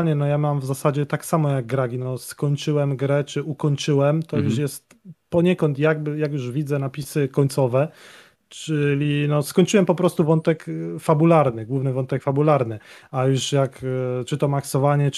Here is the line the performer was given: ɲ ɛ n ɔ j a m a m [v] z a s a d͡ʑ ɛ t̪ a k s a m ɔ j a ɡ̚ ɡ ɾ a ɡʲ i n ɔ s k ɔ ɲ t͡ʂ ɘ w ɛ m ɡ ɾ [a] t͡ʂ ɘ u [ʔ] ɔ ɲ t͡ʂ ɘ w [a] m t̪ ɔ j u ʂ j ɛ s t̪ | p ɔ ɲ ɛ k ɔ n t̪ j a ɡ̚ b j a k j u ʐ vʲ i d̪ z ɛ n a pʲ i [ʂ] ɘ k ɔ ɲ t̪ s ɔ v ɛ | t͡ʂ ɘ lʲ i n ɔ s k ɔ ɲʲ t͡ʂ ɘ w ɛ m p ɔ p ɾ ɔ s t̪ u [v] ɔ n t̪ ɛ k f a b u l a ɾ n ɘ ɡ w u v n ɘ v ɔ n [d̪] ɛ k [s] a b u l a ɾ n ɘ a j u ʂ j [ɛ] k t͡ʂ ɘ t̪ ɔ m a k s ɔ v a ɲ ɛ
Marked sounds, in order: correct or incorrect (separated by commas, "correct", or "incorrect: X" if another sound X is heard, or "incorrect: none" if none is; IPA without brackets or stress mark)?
correct, incorrect: ɛ, incorrect: k, incorrect: ɛ, incorrect: s, correct, incorrect: t̪, incorrect: f, incorrect: a